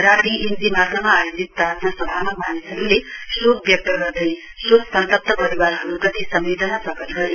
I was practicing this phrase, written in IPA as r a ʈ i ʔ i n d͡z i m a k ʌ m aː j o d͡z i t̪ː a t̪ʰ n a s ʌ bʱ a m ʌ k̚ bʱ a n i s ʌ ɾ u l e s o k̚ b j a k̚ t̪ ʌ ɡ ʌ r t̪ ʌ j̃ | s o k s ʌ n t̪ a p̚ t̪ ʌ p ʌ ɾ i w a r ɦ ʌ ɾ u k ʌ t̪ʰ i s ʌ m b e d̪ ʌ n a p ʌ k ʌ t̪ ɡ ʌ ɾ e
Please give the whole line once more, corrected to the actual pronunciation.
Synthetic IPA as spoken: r a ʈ i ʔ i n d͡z i m a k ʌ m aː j o d͡z i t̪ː a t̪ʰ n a s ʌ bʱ a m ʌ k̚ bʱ a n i s ʌ ɾ u l e s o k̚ b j ʌ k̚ t̪ ʌ ɡ ʌ r d̪ ʌ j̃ | s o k s ʌ n t̪ ʌ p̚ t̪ ʌ p ʌ ɾ i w a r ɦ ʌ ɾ u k ʌ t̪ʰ i s ʌ m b e d̪ ʌ n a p ʌ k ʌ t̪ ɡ ʌ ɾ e

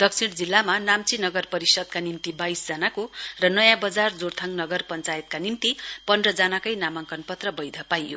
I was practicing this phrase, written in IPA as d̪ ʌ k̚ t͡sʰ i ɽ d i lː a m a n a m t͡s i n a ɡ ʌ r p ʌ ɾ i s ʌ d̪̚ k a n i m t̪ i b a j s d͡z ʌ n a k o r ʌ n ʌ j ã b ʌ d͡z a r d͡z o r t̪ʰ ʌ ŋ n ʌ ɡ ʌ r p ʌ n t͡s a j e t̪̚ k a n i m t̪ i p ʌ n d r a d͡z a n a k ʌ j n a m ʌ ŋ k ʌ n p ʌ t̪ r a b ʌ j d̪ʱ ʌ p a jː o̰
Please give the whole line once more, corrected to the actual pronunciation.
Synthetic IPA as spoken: d̪ ʌ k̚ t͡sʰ i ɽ d͡z i lː a m a n a m t͡s i n ʌ ɡ ʌ r p ʌ ɾ i s ʌ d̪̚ k a n i m t̪ i b a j s d͡z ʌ n a k o r ʌ n ʌ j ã b ʌ d͡z a r d͡z o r t̪ʰ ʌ ŋ n ʌ ɡ ʌ r p ʌ n t͡s a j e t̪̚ k a n i m t̪ i p ʌ n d r ʌ d͡z a n a k ʌ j n a m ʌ ŋ k ʌ n p ʌ t̪ r ʌ b ʌ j d̪ʱ ʌ p a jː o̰

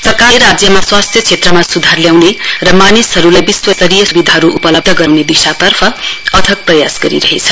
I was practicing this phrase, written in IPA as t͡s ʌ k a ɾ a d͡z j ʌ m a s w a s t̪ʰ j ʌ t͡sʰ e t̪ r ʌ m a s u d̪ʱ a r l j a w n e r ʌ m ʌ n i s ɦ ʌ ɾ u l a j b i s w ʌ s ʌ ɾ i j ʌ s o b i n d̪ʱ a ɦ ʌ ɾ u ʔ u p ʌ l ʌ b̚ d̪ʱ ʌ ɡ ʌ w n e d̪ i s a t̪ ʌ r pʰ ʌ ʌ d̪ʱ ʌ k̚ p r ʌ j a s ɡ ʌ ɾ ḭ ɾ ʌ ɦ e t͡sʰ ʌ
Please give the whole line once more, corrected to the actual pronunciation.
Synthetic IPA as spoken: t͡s ʌ k a ɾ a d͡z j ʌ m a s w a s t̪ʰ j ʌ t͡sʰ e t̪ r ʌ m a s u d̪ʱ a r l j a w n e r ʌ m a n i s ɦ ʌ ɾ u l a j b i s w ʌ s ʌ ɾ i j ʌ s u b i d̪ʱ a ɦ ʌ ɾ u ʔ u p ʌ l ʌ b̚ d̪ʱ ʌ ɡ ʌ w n e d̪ i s a t̪ ʌ r pʰ ʌ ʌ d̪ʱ ʌ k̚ p r ʌ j a s ɡ ʌ ɾ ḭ ɾ ʌ ɦ e t͡sʰ ʌ

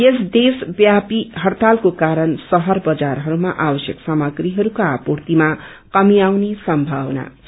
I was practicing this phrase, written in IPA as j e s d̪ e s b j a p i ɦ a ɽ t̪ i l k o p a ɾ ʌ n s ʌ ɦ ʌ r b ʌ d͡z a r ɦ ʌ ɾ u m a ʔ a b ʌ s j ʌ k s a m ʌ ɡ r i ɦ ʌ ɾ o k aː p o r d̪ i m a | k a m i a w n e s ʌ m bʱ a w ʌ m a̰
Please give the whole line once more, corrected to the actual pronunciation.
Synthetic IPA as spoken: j e s d̪ e s b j a p i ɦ ʌ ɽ t̪ a l k o k a ɾ ʌ n s ʌ ɦ ʌ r b ʌ d͡z a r ɦ ʌ ɾ u m a ʔ a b ʌ s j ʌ k s a m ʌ ɡ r i ɦ ʌ ɾ u k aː p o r t̪ i m a | k ʌ m i a w n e s ʌ m bʱ a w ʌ n a̰

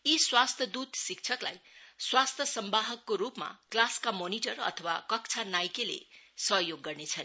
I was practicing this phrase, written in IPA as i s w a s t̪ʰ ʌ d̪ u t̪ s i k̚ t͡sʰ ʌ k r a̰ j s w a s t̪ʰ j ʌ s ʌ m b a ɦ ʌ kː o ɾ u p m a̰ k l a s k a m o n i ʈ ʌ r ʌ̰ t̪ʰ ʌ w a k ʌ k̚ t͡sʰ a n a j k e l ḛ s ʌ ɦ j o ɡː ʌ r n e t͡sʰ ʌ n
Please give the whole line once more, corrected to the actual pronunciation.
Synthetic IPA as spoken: i s w a s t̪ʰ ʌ d̪ u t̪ s i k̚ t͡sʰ ʌ k l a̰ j s w a s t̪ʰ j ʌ s ʌ m b a ɦ ʌ kː o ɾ u p m a̰ k l a s k a m o n i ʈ ʌ r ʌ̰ t̪ʰ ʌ w a k ʌ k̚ t͡sʰ a n a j k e l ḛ s ʌ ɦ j o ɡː ʌ r n e t͡sʰ ʌ n

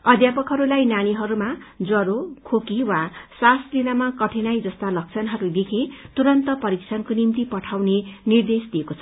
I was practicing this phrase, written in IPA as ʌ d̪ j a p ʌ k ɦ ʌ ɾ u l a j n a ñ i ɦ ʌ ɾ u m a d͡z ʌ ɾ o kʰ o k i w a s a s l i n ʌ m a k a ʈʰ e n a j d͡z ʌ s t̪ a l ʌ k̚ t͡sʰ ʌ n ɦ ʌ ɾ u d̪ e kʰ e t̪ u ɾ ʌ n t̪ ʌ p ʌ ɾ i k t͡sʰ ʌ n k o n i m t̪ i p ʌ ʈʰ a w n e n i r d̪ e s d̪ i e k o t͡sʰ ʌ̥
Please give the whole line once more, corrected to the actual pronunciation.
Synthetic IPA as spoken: ʌ d̪ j a p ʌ k ɦ ʌ ɾ u l a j n a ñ i ɦ ʌ ɾ u m a d͡z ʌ ɾ o kʰ o k i w a s a s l i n a m a k ʌ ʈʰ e n a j d͡z ʌ s t̪ a l ʌ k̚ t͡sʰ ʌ n ɦ ʌ ɾ u d̪ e kʰ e t̪ u ɾ ʌ n t̪ ʌ p ʌ ɾ i k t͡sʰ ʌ n k o n i m t̪ i p ʌ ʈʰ a w n e n i r d̪ e s d̪ i e k o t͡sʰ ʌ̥

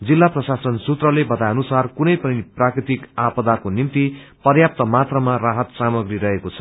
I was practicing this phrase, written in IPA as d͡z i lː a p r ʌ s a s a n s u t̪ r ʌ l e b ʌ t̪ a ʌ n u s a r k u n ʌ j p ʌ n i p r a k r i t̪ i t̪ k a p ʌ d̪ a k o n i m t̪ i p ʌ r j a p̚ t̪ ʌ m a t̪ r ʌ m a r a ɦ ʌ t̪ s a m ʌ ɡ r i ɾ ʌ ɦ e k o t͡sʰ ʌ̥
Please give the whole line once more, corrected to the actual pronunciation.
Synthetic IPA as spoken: d͡z i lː a p r ʌ s a s ʌ n s u t̪ r ʌ l e b ʌ t̪ a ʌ n u s a r k u n ʌ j p ʌ n i p r a k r i t̪ i k a p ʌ d̪ a k o n i m t̪ i p ʌ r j a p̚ t̪ ʌ m a t̪ r ʌ m a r a ɦ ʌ t̪ s a m ʌ ɡ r i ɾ ʌ ɦ e k o t͡sʰ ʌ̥

